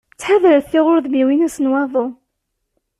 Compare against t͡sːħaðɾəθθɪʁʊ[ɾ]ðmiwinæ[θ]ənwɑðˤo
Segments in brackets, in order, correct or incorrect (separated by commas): correct, incorrect